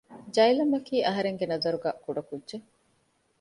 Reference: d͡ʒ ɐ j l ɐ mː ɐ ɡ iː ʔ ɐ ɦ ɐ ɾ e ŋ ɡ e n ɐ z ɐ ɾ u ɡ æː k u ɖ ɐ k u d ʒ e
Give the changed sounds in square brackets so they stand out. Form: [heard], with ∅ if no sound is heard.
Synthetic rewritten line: d͡ʒ ɐ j l ɐ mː ɐ [k] iː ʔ ɐ ɦ ɐ ɾ e ŋ ɡ e n ɐ z ɐ ɾ u ɡ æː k u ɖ ɐ k u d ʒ e

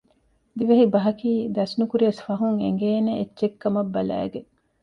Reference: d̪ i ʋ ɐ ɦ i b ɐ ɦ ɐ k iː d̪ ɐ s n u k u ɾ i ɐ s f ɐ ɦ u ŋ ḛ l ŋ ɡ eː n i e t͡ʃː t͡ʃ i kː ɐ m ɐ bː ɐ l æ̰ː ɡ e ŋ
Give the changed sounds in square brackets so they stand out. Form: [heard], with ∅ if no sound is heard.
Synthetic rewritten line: d̪ i ʋ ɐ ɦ i b ɐ ɦ ɐ k iː d̪ ɐ s n u k u ɾ i ɐ s f ɐ ɦ u ŋ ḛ [∅] ŋ ɡ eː n [e] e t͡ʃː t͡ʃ [e] kː ɐ m ɐ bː ɐ l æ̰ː ɡ e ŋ

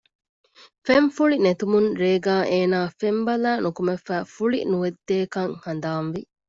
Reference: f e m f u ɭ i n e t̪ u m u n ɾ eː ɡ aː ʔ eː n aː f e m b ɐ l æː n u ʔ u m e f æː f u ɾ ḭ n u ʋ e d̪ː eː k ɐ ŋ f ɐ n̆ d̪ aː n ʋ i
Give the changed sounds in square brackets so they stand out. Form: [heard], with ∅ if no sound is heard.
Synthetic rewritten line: f e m f u ɭ i n e t̪ u m u n ɾ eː ɡ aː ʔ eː n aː f e m b ɐ l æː n u [k] u m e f æː f u [ɭ] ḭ n u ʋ e d̪ː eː k ɐ ŋ [h] ɐ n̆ d̪ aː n ʋ i

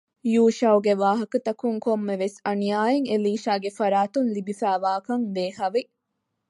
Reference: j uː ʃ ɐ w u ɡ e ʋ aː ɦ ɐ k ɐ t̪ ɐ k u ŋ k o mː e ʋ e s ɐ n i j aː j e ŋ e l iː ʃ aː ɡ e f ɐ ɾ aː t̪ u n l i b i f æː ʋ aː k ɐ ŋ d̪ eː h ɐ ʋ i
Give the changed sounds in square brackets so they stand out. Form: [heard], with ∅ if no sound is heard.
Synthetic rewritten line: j uː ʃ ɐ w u ɡ e ʋ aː ɦ ɐ k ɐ t̪ ɐ k u ŋ k o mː e ʋ e s ɐ n i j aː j e ŋ e l iː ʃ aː ɡ e f ɐ ɾ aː t̪ u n l i b i f æː ʋ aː k ɐ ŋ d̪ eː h ɐ ʋ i

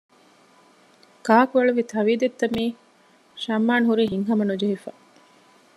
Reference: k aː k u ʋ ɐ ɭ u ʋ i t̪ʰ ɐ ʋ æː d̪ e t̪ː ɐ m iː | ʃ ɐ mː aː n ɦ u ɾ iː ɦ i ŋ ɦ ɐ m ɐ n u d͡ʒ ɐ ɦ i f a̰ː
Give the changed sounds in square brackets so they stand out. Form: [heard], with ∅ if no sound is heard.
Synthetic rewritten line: k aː k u ʋ ɐ ɭ u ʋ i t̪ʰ ɐ ʋ [iː] d̪ e t̪ː ɐ m iː | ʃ ɐ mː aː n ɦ u ɾ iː ɦ i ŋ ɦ ɐ m ɐ n u d͡ʒ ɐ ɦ i f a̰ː

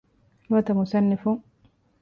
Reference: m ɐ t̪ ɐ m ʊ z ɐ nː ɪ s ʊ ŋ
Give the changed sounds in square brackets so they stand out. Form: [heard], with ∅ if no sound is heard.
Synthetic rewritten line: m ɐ t̪ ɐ m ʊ [s] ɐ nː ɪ [f] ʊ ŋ

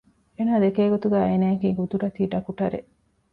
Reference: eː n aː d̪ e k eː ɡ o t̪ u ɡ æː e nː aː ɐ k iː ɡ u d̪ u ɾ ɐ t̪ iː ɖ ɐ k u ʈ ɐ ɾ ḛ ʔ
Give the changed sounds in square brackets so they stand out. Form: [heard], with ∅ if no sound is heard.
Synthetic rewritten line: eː n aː d̪ e k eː ɡ o t̪ u ɡ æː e [n] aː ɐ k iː ɡ u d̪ u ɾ ɐ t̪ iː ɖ ɐ k u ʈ ɐ ɾ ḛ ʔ

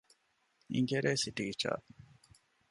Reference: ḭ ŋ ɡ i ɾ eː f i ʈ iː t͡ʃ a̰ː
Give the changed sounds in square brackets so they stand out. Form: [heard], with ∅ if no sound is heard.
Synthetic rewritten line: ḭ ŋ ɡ [e] ɾ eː [s] i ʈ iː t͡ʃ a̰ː

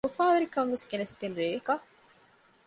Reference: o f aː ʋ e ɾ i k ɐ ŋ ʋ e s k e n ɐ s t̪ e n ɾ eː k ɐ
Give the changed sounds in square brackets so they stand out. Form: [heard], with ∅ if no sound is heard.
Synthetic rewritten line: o f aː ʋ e ɾ i k ɐ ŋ ʋ e s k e n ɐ s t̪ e n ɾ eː k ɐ

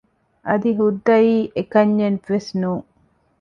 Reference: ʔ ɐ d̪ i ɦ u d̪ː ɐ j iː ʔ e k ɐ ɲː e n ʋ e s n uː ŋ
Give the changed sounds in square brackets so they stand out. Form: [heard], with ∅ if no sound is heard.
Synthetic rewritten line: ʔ ɐ d̪ i ɦ u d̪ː ɐ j iː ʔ e k ɐ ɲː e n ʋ e s n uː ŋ

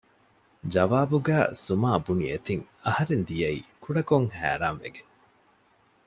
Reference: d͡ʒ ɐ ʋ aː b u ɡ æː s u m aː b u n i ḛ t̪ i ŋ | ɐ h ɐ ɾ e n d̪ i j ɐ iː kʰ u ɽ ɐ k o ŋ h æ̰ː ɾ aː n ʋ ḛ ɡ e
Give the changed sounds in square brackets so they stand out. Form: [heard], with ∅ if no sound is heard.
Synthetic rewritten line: d͡ʒ ɐ ʋ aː b u ɡ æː s u m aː b u n i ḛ t̪ i ŋ | ɐ h ɐ ɾ e n d̪ i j ɐ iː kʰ u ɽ ɐ k o ŋ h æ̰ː ɾ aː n ʋ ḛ ɡ e

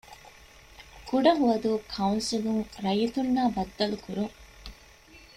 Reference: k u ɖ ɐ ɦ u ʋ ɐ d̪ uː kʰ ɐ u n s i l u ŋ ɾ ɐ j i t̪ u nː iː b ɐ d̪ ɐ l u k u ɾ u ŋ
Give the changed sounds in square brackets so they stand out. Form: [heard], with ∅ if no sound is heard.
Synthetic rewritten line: k u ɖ ɐ ɦ u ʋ ɐ d̪ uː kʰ ɐ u n s i l u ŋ ɾ ɐ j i t̪ u nː [aː] b ɐ [d̪ː] ɐ l u k u ɾ u ŋ

